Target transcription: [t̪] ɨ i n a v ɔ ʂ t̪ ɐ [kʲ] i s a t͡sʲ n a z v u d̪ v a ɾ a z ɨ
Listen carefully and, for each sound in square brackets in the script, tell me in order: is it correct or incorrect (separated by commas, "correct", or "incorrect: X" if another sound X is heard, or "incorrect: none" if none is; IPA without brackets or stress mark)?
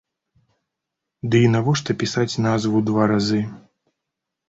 incorrect: d̪, incorrect: pʲ